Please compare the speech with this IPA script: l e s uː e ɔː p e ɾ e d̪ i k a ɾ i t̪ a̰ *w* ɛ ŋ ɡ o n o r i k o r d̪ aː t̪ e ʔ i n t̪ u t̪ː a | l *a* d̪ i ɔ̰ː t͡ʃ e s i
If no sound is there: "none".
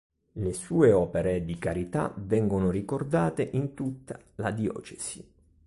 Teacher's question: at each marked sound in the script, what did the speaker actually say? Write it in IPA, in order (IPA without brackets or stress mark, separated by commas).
v, a